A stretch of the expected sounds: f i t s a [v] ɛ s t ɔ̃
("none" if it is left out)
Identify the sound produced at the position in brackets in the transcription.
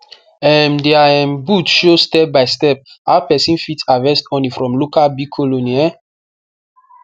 v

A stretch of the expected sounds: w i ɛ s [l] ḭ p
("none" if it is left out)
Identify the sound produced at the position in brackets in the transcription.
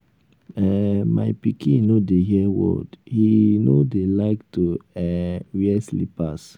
l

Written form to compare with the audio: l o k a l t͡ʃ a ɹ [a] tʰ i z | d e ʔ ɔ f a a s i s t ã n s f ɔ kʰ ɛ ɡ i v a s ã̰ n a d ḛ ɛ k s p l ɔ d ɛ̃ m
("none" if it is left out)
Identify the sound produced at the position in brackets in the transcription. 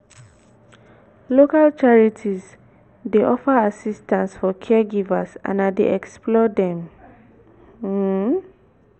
i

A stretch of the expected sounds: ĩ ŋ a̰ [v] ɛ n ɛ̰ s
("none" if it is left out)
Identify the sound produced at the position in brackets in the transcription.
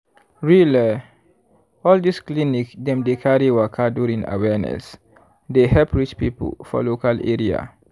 w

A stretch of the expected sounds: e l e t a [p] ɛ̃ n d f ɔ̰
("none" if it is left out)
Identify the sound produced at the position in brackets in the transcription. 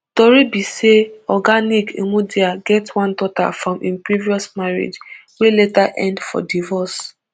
ʔ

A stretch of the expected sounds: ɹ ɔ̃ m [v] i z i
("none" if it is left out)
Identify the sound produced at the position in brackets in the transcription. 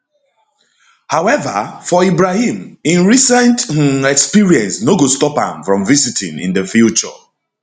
v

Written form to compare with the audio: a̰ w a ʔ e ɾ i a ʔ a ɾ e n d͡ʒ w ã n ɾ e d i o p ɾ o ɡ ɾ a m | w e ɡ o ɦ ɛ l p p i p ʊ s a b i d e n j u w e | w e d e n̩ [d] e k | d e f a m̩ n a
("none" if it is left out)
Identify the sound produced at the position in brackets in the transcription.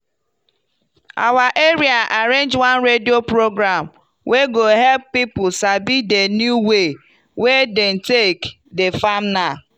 t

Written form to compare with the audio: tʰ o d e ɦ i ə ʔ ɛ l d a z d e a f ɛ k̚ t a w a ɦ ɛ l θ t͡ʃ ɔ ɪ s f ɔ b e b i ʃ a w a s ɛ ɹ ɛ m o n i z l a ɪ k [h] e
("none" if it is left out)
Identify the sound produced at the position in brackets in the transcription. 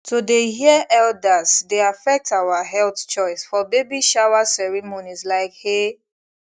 h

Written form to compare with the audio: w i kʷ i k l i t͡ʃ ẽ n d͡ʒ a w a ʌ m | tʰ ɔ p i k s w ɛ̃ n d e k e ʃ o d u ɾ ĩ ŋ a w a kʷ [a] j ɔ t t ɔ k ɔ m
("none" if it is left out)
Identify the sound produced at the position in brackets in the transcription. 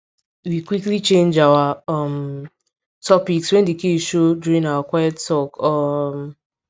a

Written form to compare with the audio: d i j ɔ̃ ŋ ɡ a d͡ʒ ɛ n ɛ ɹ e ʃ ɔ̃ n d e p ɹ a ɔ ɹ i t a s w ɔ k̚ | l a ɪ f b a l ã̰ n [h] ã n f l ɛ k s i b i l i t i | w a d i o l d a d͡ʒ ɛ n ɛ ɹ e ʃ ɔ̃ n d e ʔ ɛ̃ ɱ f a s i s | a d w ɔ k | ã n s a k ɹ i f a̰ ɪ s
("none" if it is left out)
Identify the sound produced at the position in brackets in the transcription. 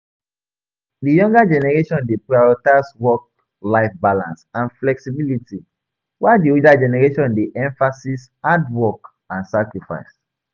s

